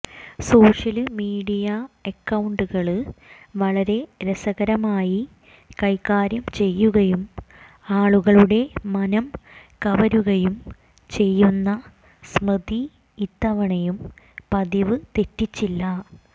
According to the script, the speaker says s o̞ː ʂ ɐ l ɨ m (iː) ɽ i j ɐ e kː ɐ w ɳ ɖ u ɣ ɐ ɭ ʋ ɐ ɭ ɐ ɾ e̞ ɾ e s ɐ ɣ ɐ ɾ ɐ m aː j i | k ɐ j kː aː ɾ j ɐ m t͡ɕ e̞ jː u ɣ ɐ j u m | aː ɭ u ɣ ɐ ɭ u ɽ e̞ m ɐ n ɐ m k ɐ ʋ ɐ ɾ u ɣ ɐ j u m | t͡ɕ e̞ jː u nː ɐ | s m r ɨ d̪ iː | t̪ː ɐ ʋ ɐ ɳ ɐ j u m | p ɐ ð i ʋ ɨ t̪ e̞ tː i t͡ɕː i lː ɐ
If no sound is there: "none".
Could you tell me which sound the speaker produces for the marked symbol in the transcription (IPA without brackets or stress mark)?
iː